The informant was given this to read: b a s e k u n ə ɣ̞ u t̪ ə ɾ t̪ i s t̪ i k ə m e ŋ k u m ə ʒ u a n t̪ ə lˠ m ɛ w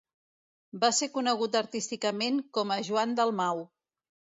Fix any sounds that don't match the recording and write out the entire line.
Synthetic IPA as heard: b a s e k u n ə ɣ̞ u t̪ ə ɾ t̪ i s t̪ i k ə m e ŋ k ɔ m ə ʒ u a n d̪ ə lˠ m a w